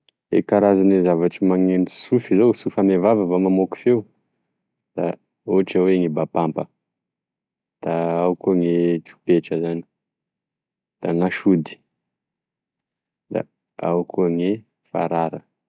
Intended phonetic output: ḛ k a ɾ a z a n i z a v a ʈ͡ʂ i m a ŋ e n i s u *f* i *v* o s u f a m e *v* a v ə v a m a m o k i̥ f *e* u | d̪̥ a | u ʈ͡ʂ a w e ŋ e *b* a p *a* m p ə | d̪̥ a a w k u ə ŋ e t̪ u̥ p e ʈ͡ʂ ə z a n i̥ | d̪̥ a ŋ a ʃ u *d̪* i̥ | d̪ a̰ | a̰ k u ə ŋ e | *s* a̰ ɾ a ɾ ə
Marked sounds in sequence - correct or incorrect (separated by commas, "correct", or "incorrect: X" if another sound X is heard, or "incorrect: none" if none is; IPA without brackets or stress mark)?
correct, incorrect: z, correct, correct, correct, correct, correct, incorrect: f